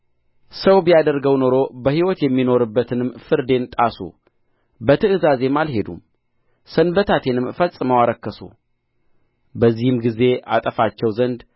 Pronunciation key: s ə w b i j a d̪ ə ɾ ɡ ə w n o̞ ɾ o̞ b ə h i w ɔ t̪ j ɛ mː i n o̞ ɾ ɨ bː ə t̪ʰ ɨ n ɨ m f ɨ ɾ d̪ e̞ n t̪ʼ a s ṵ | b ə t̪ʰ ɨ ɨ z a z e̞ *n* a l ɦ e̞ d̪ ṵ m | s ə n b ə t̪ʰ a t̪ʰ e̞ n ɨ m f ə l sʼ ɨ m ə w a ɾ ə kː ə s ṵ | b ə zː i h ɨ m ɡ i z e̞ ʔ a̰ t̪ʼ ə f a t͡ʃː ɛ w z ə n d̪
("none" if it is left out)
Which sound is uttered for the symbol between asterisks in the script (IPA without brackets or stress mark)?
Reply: m